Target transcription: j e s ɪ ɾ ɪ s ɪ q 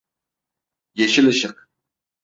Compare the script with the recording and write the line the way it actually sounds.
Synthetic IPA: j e ʃ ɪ l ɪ ʃ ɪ q

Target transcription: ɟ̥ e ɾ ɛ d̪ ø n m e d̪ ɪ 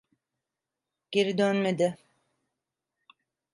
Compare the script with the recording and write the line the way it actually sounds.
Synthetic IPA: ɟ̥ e ɾ i d̪ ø n m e d̪ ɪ

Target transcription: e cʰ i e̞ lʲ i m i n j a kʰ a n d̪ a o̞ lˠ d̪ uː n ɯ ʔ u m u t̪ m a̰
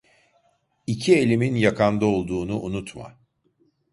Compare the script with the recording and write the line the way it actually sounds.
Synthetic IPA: i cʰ i e̞ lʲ i m i n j a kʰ a n d̪ a o̞ lˠ d̪ uː n u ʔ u n u t̪ m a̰

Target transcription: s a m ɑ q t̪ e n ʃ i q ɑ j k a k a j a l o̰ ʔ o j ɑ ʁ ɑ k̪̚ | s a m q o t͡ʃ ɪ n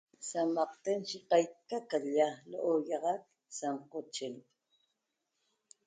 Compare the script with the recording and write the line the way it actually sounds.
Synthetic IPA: s a m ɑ q t̪ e n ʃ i q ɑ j k a k a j a l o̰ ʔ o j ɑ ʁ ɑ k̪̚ | s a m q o t͡ʃ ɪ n

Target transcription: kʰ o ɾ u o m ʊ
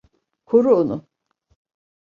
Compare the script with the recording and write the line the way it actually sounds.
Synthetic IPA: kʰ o ɾ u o n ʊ

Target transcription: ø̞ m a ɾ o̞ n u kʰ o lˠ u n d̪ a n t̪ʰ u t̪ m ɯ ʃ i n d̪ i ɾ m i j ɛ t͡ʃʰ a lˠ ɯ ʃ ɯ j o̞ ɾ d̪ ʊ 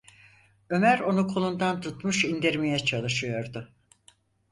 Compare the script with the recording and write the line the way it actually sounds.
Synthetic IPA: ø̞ m æ ɾ o̞ n u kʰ o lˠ u n d̪ a n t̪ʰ u t̪ m u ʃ i n d̪ i ɾ m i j ɛ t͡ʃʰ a lˠ ɯ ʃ ɯ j o̞ ɾ d̪ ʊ

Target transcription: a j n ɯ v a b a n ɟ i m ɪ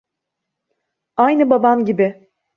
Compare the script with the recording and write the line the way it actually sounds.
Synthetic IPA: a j n ɯ b a b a m ɟ i b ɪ

